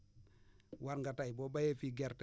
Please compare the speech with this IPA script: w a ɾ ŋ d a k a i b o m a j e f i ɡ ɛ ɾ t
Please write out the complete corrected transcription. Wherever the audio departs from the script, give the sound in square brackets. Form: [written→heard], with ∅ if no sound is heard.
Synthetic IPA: w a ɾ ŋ [d→ɡ] a [k→t] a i b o [m→b] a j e f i ɡ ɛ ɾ t